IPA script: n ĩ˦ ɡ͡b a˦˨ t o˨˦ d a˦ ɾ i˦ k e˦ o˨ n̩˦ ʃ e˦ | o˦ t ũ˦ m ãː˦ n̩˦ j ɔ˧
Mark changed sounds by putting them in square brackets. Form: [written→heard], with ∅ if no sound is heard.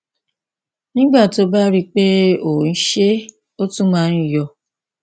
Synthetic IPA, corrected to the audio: n ĩ˦ ɡ͡b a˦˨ t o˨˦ [d→b] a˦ ɾ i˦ [k→k͡p] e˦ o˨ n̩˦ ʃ e˦ | o˦ t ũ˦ m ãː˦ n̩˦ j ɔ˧